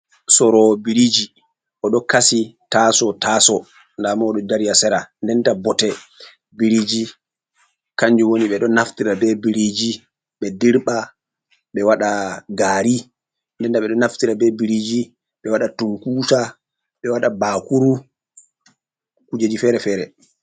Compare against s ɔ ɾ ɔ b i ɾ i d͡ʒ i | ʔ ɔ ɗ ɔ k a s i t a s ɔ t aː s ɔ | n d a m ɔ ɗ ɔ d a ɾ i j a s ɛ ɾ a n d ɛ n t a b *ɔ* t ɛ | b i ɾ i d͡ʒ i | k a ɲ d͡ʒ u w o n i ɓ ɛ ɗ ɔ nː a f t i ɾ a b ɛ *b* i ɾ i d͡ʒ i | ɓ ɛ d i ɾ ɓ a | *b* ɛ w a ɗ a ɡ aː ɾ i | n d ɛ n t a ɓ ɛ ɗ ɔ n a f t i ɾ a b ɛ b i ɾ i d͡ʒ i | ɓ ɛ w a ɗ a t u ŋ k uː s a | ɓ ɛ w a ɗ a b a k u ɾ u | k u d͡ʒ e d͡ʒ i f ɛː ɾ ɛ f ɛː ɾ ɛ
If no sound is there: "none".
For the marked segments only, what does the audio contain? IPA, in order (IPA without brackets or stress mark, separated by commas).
ɔ, b, ɓ